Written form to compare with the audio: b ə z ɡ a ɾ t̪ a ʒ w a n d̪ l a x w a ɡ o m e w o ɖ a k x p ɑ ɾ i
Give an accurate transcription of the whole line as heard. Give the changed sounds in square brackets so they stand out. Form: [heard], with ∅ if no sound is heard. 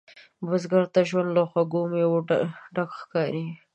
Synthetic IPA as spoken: b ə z ɡ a ɾ t̪ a ʒ w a n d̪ l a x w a ɡ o m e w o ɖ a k x [k] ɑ ɾ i